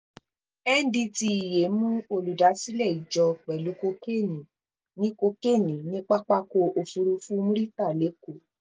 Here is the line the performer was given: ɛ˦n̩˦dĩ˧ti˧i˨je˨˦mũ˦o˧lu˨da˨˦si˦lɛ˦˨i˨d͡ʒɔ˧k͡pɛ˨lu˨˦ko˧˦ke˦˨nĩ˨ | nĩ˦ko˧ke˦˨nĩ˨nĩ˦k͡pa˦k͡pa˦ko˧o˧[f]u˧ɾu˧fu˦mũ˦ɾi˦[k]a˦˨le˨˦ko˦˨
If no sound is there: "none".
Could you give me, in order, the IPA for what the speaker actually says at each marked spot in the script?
f, t

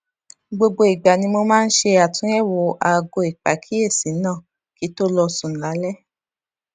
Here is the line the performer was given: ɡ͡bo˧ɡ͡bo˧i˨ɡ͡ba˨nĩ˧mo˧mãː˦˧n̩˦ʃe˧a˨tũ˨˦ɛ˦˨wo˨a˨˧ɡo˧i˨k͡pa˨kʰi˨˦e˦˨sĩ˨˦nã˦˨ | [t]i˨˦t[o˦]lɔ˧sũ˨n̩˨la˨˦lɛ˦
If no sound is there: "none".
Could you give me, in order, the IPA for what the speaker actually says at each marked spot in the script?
k, o˦

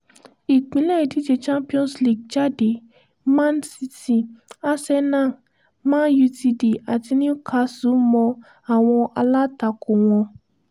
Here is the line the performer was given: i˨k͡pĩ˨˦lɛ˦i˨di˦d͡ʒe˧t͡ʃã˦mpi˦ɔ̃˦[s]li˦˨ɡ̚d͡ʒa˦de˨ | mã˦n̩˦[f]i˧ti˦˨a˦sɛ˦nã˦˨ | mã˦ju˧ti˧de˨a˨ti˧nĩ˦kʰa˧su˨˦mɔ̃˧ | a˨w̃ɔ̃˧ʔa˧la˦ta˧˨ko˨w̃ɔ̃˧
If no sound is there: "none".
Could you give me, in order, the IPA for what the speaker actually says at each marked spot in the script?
s, s

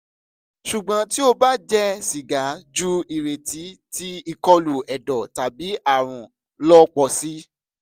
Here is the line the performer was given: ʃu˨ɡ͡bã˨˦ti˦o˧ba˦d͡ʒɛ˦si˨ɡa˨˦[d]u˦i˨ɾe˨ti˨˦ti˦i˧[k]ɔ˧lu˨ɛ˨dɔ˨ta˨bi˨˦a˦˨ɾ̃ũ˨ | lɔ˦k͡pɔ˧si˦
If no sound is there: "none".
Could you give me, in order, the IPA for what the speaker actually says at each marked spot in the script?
d͡ʒ, k

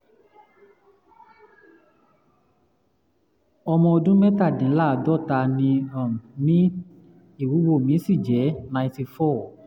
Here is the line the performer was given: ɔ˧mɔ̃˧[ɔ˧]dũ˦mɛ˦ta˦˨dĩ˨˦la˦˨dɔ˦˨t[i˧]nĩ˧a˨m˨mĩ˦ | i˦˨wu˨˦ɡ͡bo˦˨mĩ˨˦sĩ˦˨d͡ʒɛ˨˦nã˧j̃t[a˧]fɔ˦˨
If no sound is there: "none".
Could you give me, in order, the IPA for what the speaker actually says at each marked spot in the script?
o˧, a˧, i˧

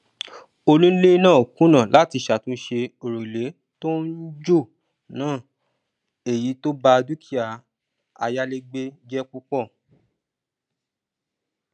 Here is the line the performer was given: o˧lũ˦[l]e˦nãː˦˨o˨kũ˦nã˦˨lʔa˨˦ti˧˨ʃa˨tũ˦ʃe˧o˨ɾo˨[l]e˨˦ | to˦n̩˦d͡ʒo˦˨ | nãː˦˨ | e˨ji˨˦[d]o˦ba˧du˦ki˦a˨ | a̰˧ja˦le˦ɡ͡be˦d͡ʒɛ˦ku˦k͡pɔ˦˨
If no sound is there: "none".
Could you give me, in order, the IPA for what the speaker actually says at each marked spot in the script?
l, l, t

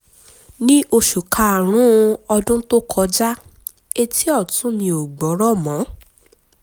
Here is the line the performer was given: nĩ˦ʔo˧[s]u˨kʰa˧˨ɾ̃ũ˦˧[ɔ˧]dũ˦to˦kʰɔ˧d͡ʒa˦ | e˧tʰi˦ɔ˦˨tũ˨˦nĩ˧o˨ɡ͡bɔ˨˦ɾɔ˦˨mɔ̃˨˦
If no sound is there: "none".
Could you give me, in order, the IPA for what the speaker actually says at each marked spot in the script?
ʃ, ɔ˧

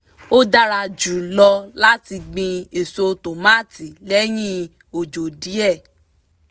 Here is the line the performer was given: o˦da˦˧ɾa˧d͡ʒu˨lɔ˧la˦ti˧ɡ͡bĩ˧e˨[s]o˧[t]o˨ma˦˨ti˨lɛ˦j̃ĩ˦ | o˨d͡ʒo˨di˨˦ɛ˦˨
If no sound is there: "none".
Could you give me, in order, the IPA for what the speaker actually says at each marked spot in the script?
s, t

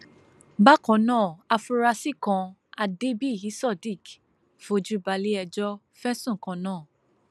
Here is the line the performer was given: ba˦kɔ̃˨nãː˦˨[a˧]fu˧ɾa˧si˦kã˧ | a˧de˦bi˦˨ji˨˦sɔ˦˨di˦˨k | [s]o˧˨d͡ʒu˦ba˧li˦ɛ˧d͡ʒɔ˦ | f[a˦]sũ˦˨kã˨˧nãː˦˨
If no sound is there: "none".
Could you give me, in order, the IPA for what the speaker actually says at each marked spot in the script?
a˧, f, ɛ˦

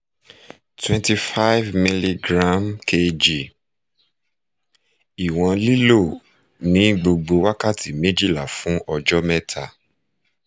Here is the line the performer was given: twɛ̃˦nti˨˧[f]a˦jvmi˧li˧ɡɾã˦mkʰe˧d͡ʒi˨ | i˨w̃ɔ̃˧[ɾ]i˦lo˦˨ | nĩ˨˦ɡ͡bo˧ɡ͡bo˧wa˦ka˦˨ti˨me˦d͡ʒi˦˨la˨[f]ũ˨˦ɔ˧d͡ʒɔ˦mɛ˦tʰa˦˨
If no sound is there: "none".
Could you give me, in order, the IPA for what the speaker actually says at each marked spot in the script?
f, l, f

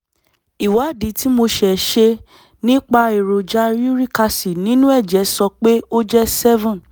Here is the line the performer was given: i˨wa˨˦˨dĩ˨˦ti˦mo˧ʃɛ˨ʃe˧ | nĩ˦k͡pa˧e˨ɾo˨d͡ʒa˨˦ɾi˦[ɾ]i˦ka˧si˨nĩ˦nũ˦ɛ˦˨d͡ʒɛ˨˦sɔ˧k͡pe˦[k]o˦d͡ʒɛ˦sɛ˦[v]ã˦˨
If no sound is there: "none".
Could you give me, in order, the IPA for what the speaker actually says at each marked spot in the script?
ɾ, none, v

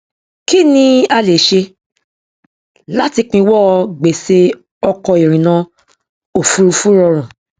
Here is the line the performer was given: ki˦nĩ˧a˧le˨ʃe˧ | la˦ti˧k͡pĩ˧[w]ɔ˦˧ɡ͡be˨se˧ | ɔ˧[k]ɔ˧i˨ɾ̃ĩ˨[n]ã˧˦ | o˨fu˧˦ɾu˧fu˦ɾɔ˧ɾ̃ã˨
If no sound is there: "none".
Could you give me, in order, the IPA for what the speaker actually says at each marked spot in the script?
w, k, n

